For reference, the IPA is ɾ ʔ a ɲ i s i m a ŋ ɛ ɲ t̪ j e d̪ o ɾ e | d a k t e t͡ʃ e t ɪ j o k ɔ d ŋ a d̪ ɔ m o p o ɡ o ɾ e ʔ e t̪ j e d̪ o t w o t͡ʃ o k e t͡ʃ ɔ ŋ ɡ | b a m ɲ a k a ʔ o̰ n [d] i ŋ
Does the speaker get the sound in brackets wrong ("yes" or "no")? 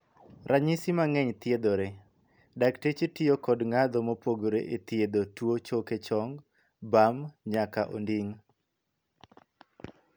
no